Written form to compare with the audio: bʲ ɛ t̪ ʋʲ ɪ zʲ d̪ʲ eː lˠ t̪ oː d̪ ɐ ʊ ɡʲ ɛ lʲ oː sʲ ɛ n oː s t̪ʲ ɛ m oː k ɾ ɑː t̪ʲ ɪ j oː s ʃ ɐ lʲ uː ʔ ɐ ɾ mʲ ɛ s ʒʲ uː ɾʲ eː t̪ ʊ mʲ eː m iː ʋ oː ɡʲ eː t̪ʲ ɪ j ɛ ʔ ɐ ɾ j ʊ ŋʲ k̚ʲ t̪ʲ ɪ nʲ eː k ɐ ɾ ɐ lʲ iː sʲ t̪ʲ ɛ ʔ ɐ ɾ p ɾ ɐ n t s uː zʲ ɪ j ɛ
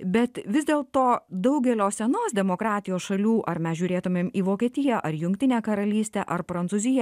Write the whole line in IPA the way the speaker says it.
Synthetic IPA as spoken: bʲ ɛ t̪ ʋʲ ɪ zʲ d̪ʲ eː lˠ t̪ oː d̪ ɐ ʊ ɡʲ ɛ lʲ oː sʲ ɛ n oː s d̪ʲ ɛ m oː k ɾ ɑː t̪ʲ ɪ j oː s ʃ ɐ lʲ uː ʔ ɐ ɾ mʲ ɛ s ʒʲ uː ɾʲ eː t̪ ʊ mʲ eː m iː ʋ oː kʲ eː t̪ʲ ɪ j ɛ ʔ ɐ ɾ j ʊ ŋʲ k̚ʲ t̪ʲ ɪ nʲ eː k ɐ ɾ ɐ lʲ iː sʲ t̪ʲ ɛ ʔ ɐ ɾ p ɾ ɐ n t s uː zʲ ɪ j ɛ